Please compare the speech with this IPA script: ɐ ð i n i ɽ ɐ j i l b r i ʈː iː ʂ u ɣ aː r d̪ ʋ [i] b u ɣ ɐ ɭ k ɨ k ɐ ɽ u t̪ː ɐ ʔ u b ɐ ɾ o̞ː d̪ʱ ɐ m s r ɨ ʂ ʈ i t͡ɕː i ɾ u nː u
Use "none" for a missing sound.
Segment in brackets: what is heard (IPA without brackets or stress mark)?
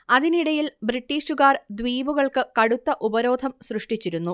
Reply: iː